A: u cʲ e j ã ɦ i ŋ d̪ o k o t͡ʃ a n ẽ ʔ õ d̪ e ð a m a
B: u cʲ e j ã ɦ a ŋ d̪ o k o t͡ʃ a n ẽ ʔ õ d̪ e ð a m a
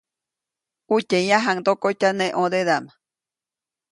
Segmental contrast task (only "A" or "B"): B